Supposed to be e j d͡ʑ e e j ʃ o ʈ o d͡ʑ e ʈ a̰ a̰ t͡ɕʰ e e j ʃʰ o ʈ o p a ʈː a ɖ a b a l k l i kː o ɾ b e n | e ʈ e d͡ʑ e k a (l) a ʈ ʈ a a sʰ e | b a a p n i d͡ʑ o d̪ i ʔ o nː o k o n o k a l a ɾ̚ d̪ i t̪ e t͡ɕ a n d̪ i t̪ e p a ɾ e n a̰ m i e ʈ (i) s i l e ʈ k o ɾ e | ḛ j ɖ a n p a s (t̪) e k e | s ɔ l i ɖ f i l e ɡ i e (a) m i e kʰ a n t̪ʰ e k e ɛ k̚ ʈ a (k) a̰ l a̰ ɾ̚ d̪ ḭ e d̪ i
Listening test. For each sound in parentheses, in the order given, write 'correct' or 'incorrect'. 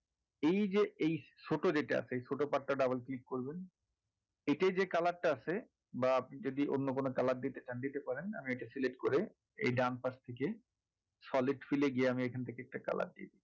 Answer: correct, incorrect, incorrect, correct, correct

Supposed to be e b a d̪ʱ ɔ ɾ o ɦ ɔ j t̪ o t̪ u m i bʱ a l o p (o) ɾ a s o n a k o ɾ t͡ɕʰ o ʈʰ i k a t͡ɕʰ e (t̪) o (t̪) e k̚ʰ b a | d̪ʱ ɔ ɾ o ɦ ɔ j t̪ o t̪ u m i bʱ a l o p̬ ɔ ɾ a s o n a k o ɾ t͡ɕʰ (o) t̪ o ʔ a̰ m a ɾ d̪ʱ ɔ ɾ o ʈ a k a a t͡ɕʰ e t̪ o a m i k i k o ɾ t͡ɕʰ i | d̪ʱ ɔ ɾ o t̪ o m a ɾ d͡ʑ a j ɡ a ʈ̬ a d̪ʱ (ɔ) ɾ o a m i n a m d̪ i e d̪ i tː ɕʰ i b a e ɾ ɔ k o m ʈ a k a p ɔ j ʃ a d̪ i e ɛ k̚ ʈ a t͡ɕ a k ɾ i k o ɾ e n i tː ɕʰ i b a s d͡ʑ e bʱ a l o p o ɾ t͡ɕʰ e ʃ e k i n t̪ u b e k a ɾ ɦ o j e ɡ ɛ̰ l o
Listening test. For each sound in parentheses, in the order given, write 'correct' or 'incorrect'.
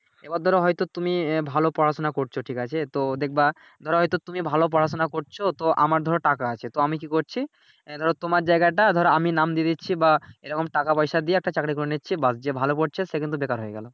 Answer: incorrect, correct, incorrect, correct, correct

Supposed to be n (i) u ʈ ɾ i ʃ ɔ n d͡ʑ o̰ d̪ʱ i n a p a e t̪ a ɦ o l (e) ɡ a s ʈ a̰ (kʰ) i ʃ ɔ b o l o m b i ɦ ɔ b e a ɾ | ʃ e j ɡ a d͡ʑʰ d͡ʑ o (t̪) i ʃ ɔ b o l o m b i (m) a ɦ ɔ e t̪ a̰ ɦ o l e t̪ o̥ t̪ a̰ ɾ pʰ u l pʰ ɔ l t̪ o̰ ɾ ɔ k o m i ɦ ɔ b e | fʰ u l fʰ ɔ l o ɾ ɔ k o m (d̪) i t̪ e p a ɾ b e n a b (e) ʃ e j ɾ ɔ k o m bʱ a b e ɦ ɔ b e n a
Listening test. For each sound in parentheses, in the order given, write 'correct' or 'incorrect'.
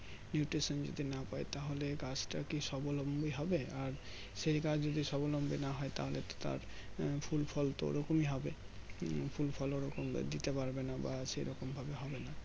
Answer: incorrect, correct, incorrect, incorrect, incorrect, correct, incorrect

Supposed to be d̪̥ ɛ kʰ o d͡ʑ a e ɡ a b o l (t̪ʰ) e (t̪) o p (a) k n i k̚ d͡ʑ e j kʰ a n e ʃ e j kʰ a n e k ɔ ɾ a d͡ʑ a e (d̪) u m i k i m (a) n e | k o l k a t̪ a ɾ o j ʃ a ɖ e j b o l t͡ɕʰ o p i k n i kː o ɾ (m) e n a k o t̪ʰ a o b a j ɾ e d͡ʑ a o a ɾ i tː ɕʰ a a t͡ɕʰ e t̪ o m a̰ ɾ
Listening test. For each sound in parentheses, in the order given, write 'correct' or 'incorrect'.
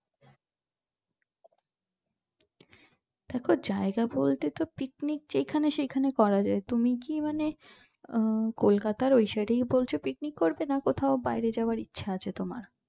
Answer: incorrect, correct, incorrect, incorrect, correct, incorrect

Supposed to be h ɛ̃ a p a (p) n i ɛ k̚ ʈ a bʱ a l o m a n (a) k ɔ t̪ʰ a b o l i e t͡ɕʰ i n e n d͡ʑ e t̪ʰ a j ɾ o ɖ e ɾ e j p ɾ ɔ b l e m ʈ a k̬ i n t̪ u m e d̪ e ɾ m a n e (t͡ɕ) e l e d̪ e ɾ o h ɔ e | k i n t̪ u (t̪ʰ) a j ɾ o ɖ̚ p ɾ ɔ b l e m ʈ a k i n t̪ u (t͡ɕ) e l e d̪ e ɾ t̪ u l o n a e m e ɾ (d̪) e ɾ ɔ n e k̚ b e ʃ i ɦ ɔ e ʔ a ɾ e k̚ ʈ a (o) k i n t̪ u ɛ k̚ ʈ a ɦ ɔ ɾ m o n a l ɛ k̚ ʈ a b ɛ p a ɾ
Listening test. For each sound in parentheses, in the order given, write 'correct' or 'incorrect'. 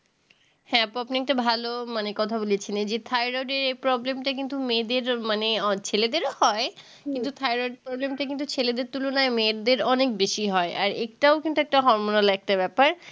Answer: correct, incorrect, incorrect, correct, incorrect, correct, correct

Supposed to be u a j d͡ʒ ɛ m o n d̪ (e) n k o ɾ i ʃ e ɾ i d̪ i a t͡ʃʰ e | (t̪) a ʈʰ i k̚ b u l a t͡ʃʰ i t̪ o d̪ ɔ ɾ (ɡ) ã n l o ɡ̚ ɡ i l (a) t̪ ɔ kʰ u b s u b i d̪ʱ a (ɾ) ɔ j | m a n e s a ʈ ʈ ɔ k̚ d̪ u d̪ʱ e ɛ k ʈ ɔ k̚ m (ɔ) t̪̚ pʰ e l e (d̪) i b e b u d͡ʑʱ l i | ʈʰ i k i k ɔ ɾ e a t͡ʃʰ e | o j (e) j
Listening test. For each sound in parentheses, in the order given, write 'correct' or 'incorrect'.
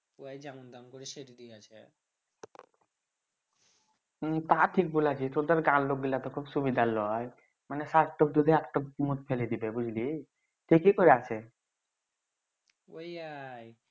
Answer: incorrect, correct, correct, correct, incorrect, incorrect, correct, incorrect

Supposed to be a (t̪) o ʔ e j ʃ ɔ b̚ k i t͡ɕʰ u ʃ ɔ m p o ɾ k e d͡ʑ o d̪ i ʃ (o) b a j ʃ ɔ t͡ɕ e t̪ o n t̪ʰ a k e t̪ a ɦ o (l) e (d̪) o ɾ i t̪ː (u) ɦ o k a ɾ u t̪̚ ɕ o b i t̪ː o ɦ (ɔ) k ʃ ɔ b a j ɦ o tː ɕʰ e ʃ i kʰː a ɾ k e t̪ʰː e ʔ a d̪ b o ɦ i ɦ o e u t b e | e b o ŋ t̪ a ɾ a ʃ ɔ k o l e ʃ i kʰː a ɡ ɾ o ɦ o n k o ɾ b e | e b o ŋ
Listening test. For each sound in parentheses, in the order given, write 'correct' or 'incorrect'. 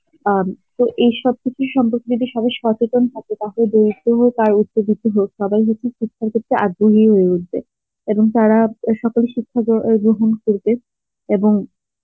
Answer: correct, incorrect, correct, correct, incorrect, incorrect

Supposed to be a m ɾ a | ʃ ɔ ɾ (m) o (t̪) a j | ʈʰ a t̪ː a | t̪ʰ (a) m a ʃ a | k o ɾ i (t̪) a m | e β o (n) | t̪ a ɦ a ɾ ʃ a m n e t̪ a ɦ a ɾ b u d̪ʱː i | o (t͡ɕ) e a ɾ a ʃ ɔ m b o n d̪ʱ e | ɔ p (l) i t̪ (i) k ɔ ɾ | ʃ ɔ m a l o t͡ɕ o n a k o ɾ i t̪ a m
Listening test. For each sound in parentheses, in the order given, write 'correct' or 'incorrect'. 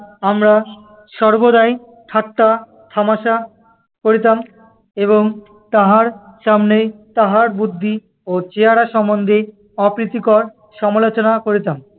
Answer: incorrect, incorrect, correct, correct, incorrect, correct, incorrect, correct

